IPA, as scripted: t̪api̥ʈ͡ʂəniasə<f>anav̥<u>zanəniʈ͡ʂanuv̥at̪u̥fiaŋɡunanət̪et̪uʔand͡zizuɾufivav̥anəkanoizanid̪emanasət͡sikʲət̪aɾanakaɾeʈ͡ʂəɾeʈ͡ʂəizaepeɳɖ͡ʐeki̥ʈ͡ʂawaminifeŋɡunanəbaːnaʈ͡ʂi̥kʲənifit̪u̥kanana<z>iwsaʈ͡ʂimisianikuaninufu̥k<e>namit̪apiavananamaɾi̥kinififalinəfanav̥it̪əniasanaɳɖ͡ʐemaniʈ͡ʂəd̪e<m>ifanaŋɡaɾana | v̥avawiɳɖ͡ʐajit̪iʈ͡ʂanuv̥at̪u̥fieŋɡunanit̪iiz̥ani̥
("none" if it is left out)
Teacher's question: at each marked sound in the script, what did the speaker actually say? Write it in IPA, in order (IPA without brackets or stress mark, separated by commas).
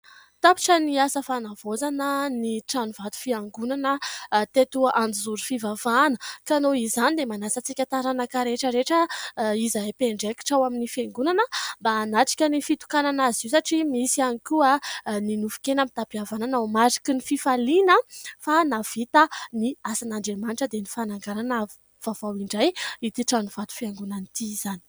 f, o, z, e, n